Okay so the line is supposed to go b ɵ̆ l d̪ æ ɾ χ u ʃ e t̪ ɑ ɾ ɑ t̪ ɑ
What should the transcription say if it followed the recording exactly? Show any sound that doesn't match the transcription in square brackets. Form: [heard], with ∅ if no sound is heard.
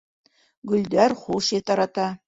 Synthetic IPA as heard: [ɡ] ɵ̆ l d̪ æ ɾ χ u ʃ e t̪ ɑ ɾ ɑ t̪ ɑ